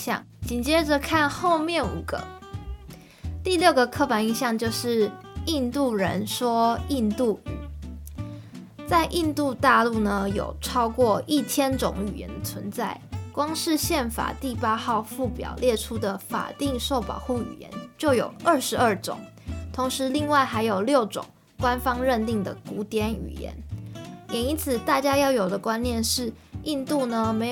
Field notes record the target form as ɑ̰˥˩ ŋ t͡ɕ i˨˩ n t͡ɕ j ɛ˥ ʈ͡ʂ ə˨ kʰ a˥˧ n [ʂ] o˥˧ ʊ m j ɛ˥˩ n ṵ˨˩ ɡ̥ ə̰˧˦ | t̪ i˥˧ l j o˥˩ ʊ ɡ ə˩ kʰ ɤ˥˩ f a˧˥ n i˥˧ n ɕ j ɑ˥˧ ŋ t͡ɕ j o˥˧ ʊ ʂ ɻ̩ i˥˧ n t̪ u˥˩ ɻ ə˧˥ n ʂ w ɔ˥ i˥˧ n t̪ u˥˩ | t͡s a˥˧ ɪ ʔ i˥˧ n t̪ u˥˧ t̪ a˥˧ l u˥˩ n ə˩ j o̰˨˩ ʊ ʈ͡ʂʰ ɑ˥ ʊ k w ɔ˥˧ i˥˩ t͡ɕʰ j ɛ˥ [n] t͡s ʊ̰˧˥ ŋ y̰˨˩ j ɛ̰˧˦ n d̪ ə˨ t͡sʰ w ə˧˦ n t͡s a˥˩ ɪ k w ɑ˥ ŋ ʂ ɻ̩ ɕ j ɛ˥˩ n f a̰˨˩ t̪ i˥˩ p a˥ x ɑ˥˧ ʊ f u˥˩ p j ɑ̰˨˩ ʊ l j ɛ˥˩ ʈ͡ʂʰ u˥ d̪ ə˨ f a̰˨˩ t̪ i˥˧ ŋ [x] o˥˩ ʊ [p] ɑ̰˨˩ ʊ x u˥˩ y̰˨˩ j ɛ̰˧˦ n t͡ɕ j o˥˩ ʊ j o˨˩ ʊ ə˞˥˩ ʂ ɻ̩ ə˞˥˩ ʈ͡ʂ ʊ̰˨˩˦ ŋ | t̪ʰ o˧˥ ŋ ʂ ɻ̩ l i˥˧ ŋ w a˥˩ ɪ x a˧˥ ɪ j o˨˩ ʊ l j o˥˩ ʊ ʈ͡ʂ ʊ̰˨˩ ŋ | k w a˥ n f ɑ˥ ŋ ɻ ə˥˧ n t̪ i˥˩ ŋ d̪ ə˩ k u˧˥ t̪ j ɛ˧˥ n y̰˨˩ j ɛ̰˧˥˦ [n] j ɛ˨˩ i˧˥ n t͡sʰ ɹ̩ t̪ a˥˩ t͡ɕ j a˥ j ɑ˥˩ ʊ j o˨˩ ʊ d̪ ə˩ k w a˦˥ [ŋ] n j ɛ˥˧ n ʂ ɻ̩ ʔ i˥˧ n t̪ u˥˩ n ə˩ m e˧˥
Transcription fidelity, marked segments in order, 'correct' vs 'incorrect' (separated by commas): incorrect, correct, incorrect, correct, correct, incorrect